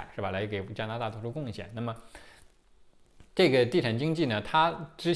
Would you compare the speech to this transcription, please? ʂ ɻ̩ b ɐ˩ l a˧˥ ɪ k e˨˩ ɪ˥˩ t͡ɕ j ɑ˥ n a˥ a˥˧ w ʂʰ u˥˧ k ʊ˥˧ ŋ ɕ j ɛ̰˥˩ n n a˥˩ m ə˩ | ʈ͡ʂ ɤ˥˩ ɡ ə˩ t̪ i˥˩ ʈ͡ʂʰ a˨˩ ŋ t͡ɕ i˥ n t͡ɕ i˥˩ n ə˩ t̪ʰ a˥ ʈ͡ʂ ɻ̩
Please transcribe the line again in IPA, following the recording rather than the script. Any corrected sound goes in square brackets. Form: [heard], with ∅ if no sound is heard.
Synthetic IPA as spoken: ʂ ɻ̩ b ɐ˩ l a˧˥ ɪ k e˨˩ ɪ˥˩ t͡ɕ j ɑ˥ n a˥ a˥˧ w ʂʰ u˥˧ k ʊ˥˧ ŋ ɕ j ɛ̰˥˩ n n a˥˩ m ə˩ | ʈ͡ʂ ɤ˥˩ ɡ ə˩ t̪ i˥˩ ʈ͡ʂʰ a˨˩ ŋ t͡ɕ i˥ [ŋ] t͡ɕ i˥˩ n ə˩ t̪ʰ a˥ ʈ͡ʂ ɻ̩

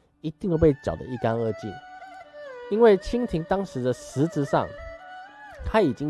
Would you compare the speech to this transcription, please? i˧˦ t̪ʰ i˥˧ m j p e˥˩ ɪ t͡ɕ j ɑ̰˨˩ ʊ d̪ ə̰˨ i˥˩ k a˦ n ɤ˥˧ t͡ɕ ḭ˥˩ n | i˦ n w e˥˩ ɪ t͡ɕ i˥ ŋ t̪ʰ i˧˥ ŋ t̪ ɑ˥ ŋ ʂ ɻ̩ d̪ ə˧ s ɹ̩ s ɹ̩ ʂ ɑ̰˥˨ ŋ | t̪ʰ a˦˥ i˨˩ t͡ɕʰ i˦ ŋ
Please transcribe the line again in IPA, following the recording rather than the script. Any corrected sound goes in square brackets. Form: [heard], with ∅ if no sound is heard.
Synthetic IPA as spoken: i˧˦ [t̪] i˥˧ [ŋ] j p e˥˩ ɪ t͡ɕ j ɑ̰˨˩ ʊ d̪ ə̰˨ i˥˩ k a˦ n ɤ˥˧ t͡ɕ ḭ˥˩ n | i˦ n w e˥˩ ɪ [t͡ɕʰ] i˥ ŋ t̪ʰ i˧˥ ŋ t̪ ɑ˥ ŋ ʂ ɻ̩ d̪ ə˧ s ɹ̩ [t͡s] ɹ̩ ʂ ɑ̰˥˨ ŋ | t̪ʰ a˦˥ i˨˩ [t͡ɕ] i˦ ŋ

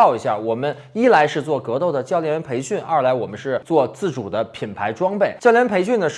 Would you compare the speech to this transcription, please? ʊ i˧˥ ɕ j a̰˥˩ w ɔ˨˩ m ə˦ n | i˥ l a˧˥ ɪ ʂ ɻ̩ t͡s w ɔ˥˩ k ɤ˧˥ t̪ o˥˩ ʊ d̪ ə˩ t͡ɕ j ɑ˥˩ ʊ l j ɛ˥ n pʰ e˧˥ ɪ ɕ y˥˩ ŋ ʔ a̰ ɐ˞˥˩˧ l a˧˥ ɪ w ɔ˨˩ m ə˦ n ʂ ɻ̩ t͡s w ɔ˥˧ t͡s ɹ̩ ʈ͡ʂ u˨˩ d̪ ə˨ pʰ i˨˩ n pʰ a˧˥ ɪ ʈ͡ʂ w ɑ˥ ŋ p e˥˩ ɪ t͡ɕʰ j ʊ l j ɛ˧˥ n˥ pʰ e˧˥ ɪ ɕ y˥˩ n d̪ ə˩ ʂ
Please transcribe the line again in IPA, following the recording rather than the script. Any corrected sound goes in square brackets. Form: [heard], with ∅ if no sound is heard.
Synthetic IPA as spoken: ʊ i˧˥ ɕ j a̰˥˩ w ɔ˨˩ m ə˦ n | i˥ l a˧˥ ɪ ʂ ɻ̩ t͡s w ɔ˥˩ k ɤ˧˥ t̪ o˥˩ ʊ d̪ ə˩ t͡ɕ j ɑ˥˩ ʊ l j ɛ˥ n pʰ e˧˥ ɪ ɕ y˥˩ [n] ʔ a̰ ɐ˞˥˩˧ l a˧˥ ɪ w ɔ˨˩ m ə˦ n ʂ ɻ̩ t͡s w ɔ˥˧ t͡s ɹ̩ ʈ͡ʂ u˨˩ d̪ [ə˦] pʰ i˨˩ n pʰ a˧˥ ɪ ʈ͡ʂ w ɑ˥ ŋ p e˥˩ ɪ [t͡ɕ] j ʊ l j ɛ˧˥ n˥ pʰ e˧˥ ɪ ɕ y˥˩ n d̪ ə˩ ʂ

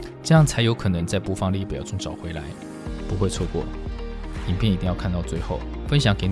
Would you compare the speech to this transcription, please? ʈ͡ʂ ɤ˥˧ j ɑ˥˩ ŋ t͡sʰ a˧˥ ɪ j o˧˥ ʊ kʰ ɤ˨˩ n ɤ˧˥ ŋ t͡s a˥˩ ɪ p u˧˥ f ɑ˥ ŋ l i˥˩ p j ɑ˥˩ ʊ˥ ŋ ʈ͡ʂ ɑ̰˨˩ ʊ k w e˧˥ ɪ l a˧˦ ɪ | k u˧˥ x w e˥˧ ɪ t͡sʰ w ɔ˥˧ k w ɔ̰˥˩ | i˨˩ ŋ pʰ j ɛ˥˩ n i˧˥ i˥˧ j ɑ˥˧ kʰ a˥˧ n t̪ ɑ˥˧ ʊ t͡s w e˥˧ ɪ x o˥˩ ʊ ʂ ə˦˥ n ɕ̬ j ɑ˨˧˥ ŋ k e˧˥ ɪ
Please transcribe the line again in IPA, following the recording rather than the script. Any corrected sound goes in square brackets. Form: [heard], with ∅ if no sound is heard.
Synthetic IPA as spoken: ʈ͡ʂ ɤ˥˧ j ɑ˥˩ ŋ t͡sʰ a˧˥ ɪ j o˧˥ ʊ kʰ ɤ˨˩ n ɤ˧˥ ŋ t͡s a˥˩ ɪ p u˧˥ f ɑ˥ ŋ l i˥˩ p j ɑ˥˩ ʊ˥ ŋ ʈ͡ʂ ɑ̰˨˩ ʊ [x] w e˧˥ ɪ l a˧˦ ɪ | [p] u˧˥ x w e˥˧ ɪ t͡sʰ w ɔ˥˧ k w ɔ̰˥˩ | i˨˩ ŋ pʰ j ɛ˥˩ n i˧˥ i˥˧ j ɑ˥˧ kʰ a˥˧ n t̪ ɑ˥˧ ʊ t͡s w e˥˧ ɪ x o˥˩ ʊ [f] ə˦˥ n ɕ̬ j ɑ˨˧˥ ŋ k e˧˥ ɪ

